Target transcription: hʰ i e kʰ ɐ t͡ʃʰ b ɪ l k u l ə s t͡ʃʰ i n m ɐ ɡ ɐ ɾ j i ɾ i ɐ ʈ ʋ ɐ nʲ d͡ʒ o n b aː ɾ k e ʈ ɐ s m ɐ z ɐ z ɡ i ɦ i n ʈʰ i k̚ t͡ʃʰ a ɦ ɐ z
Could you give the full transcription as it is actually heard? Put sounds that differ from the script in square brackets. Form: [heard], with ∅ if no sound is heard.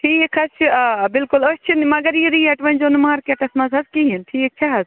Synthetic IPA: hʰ i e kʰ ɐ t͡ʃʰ b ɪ l k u l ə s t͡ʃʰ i n m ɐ ɡ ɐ ɾ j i ɾ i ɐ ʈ ʋ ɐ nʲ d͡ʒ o n [m] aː ɾ k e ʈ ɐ s m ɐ z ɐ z [k] i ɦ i n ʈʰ i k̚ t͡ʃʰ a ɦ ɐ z

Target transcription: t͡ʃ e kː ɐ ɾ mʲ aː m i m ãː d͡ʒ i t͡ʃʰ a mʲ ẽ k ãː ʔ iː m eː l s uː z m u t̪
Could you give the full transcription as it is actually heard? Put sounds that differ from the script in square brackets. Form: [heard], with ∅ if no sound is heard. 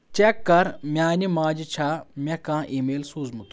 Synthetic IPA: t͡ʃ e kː ɐ ɾ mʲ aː [n] i m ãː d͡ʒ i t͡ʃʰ a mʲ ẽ k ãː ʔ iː m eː l s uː z m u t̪

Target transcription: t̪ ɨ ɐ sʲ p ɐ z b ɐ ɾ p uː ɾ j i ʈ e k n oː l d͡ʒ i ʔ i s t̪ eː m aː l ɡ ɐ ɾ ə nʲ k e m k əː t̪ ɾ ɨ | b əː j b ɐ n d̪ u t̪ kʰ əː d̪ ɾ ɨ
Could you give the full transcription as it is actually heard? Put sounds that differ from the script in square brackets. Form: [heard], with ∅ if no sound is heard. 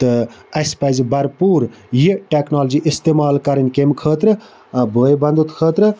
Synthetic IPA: t̪ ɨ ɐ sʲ p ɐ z b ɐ ɾ p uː ɾ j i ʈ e k n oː l d͡ʒ i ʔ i s t̪ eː m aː l [k] ɐ ɾ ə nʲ k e m [kʰ] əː t̪ ɾ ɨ | b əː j b ɐ n d̪ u t̪ kʰ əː [t̪] ɾ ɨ

